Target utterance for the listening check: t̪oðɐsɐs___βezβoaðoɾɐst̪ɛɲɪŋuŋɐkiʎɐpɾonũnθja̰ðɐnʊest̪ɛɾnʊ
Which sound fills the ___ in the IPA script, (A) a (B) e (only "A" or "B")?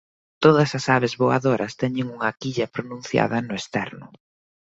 A